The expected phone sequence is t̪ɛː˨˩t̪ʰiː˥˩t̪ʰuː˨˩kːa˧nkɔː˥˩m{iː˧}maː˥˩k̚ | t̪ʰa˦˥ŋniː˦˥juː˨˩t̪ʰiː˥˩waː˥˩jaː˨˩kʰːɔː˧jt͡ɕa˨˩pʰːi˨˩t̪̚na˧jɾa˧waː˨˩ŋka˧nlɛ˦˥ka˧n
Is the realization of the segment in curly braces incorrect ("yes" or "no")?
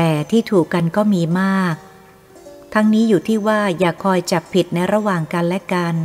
no